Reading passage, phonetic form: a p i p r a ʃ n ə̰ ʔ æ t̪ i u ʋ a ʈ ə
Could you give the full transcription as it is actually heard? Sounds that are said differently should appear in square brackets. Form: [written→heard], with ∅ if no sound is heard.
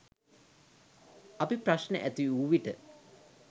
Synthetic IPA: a p i p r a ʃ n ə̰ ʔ æ t̪ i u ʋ [a→i] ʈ ə